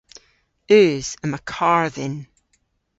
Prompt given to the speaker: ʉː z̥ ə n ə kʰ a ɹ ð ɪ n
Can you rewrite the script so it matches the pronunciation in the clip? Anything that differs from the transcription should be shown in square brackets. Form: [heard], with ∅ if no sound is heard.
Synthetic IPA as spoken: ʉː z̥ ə [m] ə kʰ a ɹ ð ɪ n